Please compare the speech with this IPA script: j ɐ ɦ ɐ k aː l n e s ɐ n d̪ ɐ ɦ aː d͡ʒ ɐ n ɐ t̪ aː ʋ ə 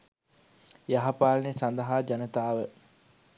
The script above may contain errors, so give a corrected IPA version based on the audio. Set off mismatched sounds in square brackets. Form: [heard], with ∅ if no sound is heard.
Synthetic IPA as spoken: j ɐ ɦ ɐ [p] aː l n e s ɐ n d̪ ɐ ɦ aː d͡ʒ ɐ n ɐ t̪ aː ʋ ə